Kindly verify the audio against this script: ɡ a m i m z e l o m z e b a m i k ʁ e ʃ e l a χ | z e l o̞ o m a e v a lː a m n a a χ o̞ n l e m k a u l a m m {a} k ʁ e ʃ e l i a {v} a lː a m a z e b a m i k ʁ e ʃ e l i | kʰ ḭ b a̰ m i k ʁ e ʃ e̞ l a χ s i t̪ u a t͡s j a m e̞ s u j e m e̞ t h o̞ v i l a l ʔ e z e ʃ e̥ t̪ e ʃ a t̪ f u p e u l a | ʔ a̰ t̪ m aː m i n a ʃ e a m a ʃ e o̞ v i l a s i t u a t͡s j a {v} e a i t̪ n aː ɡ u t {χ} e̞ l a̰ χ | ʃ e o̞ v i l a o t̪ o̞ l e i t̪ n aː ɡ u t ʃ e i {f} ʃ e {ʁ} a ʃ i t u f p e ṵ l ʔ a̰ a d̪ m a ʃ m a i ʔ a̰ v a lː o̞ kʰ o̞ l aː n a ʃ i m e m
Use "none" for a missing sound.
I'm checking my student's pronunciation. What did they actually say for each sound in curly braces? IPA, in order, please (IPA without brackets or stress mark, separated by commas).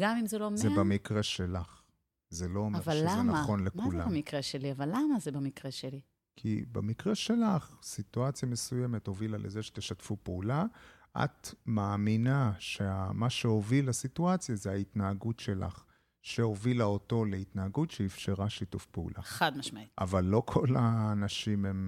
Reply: i, v, z, ʃ, f, ʁ